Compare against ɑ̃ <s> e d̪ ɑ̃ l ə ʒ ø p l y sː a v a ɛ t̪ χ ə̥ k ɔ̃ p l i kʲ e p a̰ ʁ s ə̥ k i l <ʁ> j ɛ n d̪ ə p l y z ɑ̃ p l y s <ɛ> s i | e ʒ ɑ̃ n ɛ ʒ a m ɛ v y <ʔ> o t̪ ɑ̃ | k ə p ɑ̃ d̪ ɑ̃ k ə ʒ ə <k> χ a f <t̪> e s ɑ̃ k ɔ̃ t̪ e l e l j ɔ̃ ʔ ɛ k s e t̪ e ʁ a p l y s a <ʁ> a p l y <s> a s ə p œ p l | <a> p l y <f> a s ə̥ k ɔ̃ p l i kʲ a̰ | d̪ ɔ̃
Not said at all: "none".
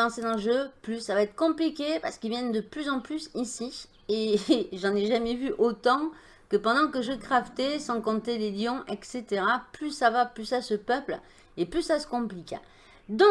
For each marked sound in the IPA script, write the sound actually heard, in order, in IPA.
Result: s, v, i, ʔ, k, t̪, v, s, e, s

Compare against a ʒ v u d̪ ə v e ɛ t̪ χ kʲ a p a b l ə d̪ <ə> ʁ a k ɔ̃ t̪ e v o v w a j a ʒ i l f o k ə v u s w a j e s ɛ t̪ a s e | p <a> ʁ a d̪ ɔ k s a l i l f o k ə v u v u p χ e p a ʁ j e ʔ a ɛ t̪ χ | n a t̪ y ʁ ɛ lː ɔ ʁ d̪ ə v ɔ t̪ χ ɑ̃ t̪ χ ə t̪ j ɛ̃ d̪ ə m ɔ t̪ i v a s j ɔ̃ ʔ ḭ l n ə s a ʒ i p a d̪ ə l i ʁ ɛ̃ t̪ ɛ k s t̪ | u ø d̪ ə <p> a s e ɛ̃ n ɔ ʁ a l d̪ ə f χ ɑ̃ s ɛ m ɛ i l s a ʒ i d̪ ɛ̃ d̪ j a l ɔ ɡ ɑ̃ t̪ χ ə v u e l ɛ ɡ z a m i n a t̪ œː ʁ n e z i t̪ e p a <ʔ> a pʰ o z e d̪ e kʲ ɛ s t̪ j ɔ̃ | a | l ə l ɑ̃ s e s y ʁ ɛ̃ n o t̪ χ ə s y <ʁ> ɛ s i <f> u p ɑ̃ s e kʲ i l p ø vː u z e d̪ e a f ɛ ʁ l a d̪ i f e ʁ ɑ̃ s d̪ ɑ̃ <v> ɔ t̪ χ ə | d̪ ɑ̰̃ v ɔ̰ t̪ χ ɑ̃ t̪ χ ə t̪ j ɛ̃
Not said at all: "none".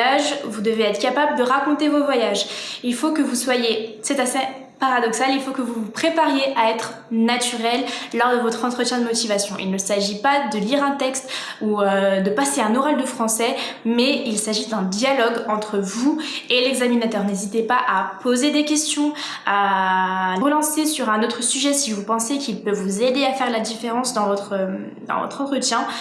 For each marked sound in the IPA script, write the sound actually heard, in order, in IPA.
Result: ə, a, p, ʔ, ʒ, v, v

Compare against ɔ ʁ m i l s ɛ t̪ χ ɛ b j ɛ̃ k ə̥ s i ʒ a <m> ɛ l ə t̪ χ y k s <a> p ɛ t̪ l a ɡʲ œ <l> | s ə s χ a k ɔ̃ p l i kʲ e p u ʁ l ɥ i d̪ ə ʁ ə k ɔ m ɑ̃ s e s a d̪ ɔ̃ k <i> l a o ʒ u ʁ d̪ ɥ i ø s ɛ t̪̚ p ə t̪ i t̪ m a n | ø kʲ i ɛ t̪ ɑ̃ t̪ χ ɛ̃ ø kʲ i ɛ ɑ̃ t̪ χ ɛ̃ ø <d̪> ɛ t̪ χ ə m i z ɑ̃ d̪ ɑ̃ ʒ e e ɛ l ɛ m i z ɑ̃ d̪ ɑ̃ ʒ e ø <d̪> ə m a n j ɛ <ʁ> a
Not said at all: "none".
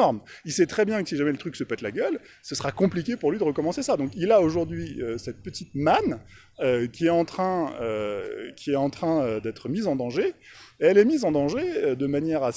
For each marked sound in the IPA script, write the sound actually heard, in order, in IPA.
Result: m, ə, l, i, d̪, d̪, ʁ

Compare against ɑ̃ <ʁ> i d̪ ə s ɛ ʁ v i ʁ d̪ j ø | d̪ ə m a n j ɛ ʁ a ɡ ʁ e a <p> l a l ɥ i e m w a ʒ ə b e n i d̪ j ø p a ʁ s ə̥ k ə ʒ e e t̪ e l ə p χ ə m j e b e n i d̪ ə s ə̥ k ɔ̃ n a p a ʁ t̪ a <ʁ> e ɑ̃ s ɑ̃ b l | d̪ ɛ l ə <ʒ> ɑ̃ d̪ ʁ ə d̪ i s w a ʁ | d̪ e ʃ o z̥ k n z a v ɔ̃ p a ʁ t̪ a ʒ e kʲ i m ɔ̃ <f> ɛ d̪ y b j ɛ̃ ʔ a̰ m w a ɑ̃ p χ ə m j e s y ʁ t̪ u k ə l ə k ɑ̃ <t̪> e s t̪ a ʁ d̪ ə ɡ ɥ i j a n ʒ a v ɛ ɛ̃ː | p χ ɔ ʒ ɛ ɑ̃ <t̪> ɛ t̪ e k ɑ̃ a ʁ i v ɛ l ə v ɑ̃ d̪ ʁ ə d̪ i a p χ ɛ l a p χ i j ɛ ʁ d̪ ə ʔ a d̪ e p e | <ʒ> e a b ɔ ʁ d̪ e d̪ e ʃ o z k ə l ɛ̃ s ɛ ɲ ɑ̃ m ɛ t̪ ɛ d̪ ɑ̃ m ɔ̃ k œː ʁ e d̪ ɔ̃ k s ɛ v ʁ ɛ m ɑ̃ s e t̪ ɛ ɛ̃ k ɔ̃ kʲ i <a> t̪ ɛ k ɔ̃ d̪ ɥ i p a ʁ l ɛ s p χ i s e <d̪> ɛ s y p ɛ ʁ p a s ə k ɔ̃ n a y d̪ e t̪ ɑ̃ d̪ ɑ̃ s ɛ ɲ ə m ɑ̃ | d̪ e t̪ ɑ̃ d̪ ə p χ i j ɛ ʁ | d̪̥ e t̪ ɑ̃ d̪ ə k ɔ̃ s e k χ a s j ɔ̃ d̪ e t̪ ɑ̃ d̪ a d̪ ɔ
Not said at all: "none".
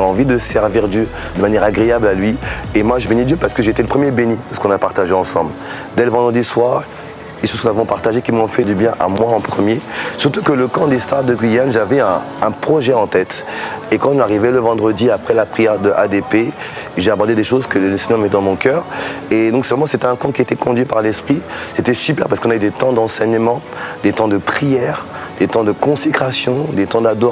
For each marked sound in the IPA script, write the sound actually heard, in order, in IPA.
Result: v, b, ʒ, v, f, d̪, t̪, ʒ, e, t̪

